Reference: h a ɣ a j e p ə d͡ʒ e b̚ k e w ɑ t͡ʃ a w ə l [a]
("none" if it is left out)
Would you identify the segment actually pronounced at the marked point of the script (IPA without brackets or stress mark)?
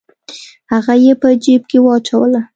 a